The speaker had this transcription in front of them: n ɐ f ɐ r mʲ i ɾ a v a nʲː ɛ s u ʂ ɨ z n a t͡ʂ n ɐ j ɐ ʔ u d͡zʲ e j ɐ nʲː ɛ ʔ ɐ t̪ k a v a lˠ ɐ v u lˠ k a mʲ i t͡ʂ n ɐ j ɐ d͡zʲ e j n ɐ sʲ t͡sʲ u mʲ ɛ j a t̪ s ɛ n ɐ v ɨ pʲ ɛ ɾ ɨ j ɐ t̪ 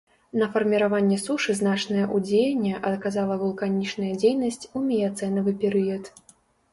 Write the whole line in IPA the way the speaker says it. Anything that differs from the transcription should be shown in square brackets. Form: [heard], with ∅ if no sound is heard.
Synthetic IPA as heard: n ɐ f ɐ r mʲ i ɾ a v a nʲː ɛ s u ʂ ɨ z n a t͡ʂ n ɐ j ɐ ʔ u d͡zʲ e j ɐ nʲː ɛ ʔ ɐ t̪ k a [z] a lˠ ɐ v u lˠ k a [nʲ] i t͡ʂ n ɐ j ɐ d͡zʲ e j n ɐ sʲ t͡sʲ u mʲ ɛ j a t̪ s ɛ n ɐ v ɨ pʲ ɛ ɾ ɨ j ɐ t̪